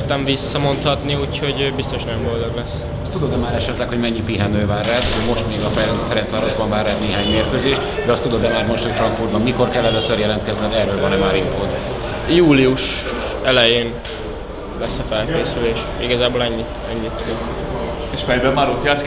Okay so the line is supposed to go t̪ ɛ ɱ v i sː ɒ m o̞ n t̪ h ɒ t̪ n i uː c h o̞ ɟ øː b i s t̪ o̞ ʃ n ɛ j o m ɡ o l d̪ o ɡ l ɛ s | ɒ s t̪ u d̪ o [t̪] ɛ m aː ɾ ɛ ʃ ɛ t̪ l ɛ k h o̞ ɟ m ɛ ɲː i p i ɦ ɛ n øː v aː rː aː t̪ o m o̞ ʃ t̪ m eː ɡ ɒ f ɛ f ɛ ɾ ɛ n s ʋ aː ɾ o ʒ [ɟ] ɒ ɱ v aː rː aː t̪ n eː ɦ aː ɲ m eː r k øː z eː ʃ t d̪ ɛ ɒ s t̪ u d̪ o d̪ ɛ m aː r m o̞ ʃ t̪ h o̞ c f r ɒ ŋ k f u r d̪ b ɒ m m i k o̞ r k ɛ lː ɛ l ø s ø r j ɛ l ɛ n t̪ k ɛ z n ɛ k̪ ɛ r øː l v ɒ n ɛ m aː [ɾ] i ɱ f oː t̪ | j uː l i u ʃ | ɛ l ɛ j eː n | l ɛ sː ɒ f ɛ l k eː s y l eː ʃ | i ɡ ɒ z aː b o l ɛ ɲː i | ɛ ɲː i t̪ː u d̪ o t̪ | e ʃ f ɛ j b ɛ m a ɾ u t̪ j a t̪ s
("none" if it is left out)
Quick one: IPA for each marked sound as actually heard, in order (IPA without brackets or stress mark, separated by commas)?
d̪, b, ɾ